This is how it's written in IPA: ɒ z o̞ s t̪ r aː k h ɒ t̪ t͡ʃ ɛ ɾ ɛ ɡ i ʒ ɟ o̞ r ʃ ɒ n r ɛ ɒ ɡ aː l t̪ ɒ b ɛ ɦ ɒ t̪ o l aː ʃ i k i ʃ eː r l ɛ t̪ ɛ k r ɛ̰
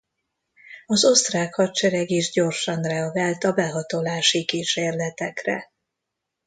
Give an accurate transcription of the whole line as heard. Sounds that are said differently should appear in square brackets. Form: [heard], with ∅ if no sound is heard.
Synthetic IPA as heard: ɒ z o̞ s t̪ r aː k h ɒ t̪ t͡ʃ ɛ ɾ ɛ ɡ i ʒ ɟ o̞ r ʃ ɒ n r ɛ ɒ ɡ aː l t̪ ɒ b ɛ ɦ ɒ t̪ o l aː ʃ i k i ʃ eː r l ɛ t̪ ɛ k r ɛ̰